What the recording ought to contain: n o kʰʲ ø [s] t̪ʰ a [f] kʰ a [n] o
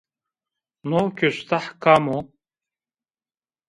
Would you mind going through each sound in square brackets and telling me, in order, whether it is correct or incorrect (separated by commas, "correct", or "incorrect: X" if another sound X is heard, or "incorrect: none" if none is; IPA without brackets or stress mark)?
correct, incorrect: ħ, incorrect: m